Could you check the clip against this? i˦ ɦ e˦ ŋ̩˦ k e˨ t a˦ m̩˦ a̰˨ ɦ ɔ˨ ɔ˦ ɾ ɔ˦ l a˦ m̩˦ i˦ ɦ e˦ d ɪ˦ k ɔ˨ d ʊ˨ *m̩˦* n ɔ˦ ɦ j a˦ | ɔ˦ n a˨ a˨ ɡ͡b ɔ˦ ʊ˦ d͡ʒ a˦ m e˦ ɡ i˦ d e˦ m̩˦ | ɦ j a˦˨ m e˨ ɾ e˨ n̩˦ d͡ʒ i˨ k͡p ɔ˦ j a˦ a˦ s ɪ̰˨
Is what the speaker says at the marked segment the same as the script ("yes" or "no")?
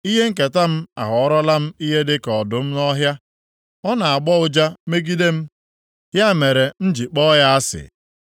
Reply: yes